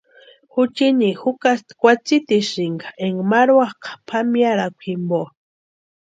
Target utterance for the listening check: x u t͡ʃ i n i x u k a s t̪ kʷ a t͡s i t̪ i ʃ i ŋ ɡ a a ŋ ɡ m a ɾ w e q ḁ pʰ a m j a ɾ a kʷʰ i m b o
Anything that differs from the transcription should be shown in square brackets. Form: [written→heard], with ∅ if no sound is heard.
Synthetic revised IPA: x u t͡ʃ i n i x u k a s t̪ kʷ a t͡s i t̪ i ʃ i ŋ ɡ a [a→e] ŋ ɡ m a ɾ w [e→a] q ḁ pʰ a m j a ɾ a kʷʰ i m b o